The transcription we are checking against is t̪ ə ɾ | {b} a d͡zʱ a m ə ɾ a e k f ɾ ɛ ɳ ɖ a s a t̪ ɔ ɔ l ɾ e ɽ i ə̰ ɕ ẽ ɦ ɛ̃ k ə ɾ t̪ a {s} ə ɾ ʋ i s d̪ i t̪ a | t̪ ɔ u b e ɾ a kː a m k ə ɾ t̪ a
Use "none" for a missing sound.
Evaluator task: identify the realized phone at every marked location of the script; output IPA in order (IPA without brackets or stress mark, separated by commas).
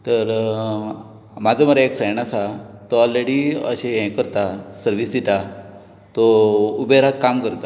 m, s